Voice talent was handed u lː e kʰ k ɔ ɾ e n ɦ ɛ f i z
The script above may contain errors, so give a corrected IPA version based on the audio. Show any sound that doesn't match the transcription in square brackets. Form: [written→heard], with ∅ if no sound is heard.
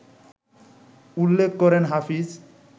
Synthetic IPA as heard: u lː e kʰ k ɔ ɾ e n ɦ [ɛ→a] f i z